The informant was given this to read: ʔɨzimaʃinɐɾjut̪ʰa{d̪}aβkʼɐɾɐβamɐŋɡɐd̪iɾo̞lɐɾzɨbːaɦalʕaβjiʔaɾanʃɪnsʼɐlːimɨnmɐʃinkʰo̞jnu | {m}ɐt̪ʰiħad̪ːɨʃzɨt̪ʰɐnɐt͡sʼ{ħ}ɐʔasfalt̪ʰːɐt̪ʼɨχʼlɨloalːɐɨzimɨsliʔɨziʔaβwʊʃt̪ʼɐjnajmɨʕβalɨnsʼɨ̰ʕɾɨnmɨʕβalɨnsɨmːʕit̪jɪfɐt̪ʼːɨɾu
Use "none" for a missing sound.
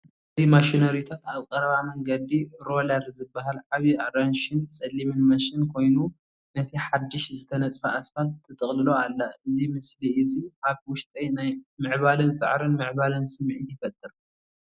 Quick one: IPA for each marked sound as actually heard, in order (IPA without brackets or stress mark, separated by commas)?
t̪, n, f